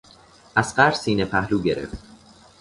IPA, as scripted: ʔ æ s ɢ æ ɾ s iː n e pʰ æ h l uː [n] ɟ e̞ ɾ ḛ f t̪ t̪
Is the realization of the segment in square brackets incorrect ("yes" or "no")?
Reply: yes